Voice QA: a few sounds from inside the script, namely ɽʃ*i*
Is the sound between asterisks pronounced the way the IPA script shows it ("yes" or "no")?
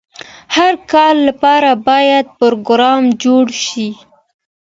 yes